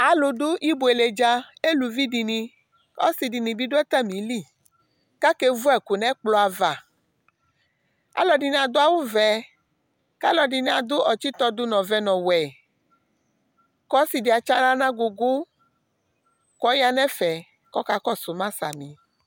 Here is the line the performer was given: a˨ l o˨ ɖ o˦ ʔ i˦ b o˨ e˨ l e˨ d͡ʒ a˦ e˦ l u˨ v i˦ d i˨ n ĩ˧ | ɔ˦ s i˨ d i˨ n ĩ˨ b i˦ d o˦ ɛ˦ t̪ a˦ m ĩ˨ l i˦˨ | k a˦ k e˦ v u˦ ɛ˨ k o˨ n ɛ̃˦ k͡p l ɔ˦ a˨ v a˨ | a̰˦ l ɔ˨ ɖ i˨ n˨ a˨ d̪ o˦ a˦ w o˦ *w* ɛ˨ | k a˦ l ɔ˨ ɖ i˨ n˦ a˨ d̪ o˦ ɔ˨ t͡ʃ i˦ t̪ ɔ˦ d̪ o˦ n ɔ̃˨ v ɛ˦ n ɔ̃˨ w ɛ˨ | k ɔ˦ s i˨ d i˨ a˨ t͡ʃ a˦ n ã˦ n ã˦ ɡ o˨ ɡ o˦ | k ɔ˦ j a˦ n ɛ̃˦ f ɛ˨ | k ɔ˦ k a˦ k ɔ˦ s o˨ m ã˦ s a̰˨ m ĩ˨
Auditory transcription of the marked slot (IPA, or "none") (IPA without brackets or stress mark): v